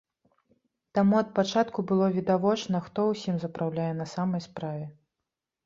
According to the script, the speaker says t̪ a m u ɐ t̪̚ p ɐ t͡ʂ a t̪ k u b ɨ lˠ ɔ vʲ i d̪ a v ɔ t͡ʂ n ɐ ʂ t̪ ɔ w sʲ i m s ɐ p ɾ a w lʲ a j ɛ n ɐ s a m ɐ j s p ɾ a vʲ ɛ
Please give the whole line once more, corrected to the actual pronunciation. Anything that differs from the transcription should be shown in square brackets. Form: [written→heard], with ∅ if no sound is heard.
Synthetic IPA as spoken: t̪ a m u ɐ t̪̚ p [ɐ→a] t͡ʂ a t̪ k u b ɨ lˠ ɔ vʲ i d̪ a v ɔ t͡ʂ n ɐ [ʂ→x] t̪ ɔ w sʲ i m [s→z] ɐ p ɾ a w lʲ a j ɛ n ɐ s a m ɐ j s p ɾ a vʲ ɛ

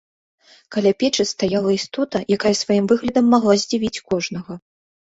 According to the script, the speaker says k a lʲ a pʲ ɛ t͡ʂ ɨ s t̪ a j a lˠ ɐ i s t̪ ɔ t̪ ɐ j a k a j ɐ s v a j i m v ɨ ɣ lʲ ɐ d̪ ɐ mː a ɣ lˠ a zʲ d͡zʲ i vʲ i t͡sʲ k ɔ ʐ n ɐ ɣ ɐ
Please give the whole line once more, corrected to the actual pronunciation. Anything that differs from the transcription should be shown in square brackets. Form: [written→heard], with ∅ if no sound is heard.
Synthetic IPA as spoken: k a lʲ a pʲ ɛ t͡ʂ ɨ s t̪ a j a lˠ ɐ i s t̪ ɔ t̪ ɐ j a k a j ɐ s v a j i m v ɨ ɣ lʲ ɐ d̪ ɐ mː a ɣ lˠ a zʲ d͡zʲ i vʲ i t͡sʲ k ɔ ʐ n ɐ ɣ ɐ

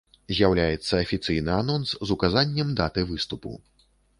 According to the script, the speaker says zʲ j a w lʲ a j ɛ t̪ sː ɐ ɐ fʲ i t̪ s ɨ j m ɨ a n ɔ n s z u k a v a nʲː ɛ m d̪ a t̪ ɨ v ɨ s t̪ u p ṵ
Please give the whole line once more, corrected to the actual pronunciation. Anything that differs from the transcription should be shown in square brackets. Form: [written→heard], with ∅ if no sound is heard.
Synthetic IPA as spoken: zʲ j a w lʲ a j ɛ t̪ sː ɐ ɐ fʲ i t̪ s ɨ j [m→n] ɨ a n ɔ n s z u k a [v→z] a nʲː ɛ m d̪ a t̪ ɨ v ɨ s t̪ u p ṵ

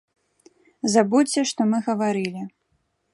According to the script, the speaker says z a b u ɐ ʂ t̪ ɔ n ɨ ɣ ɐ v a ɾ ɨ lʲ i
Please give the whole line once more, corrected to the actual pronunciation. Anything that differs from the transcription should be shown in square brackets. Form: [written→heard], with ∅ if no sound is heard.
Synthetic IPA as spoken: z a b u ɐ ʂ t̪ ɔ [n→m] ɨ ɣ ɐ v a ɾ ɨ lʲ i

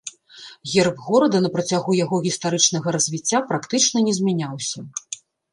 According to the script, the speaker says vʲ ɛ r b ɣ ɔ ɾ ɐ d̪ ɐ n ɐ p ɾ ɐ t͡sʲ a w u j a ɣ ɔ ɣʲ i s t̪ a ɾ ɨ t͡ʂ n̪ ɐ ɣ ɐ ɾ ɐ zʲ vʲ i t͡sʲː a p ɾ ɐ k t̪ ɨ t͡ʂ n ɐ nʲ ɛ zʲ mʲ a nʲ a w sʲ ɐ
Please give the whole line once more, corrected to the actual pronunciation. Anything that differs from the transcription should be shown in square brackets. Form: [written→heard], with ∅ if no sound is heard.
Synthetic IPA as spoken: [vʲ→ɣʲ] ɛ r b ɣ ɔ ɾ ɐ d̪ ɐ n ɐ p ɾ ɐ t͡sʲ a [w→ɣ] u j a ɣ ɔ ɣʲ i s t̪ a ɾ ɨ t͡ʂ n̪ ɐ ɣ ɐ ɾ ɐ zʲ vʲ i t͡sʲː a p ɾ [ɐ→a] k t̪ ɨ t͡ʂ n ɐ nʲ ɛ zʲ mʲ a nʲ a w sʲ ɐ

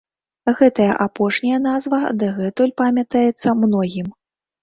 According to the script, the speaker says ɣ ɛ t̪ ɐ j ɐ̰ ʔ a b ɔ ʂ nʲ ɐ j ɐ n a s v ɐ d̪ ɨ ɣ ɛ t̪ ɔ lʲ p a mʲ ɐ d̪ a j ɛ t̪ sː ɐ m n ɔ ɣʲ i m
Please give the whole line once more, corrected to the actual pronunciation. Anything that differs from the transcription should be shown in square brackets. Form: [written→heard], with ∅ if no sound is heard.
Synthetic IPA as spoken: ɣ ɛ t̪ ɐ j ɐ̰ ʔ a [b→p] ɔ ʂ nʲ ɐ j ɐ n a [s→z] v ɐ d̪ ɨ ɣ ɛ t̪ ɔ lʲ p a mʲ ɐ [d̪→t̪] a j ɛ t̪ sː ɐ m n ɔ ɣʲ i m

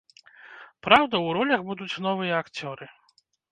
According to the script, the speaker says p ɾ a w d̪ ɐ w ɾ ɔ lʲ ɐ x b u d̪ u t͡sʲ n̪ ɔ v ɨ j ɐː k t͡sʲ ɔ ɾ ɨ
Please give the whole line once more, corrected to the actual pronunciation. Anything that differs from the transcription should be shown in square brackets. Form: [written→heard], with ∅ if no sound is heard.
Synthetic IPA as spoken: p ɾ a w d̪ ɐ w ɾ ɔ lʲ ɐ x b u d̪ u t͡sʲ n̪ ɔ v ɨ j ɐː k t͡sʲ ɔ ɾ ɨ

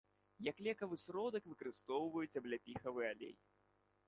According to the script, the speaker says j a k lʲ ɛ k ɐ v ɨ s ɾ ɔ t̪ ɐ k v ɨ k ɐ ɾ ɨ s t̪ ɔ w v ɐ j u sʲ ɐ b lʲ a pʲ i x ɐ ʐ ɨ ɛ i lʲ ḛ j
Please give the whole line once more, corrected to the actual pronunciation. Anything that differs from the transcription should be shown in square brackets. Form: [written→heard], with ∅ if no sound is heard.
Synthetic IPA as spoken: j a k lʲ ɛ k ɐ v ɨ s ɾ ɔ [t̪→d̪] ɐ k v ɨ k ɐ ɾ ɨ s t̪ ɔ w v ɐ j u [sʲ→t͡sʲ] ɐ b lʲ a pʲ i x ɐ [ʐ→v] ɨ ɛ [i→a] lʲ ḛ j

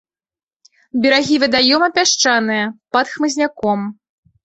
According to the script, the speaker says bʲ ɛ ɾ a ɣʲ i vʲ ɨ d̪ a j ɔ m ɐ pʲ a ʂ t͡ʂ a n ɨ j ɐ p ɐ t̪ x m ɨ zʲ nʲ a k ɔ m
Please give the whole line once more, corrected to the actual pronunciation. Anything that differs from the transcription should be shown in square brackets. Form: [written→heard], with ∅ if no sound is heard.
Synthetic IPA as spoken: bʲ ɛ ɾ a ɣʲ i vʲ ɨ d̪ a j ɔ m ɐ pʲ a ʂ t͡ʂ a n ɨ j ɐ p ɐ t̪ x m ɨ zʲ nʲ a k ɔ m

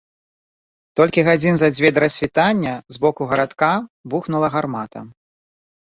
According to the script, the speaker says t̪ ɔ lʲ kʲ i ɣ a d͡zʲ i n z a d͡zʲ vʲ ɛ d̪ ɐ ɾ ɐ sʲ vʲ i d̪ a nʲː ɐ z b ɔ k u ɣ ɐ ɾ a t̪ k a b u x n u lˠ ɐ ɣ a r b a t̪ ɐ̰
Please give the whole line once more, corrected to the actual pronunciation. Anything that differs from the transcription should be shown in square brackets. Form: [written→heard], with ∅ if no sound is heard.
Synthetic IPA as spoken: t̪ ɔ lʲ kʲ i ɣ a d͡zʲ i n z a d͡zʲ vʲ ɛ d̪ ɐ ɾ ɐ sʲ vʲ i [d̪→t̪] a nʲː ɐ z b ɔ k u ɣ ɐ ɾ a t̪ k a b u x n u lˠ ɐ ɣ a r [b→m] a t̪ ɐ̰

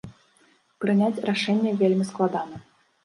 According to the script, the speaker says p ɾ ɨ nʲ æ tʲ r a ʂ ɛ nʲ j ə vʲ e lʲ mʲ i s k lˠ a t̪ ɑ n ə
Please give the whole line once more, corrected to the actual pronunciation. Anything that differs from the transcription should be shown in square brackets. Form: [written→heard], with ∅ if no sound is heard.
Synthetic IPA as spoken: p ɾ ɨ nʲ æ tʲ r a ʂ ɛ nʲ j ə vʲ e lʲ mʲ i s k lˠ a [t̪→d̪] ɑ n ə

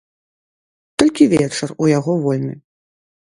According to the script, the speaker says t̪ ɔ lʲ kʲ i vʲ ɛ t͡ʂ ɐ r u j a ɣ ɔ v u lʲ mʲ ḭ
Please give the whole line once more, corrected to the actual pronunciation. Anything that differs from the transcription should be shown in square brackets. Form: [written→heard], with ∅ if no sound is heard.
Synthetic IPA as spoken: t̪ ɔ lʲ kʲ i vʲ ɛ t͡ʂ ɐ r u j a ɣ ɔ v [u→ɔ] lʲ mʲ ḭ

